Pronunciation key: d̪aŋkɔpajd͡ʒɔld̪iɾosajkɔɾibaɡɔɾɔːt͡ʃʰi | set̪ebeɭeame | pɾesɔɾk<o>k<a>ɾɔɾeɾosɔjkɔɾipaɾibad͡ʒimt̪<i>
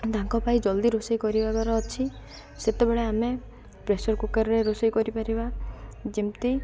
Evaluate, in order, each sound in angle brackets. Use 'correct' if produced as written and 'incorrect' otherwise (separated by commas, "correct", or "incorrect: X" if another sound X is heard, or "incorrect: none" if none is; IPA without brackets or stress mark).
incorrect: u, correct, correct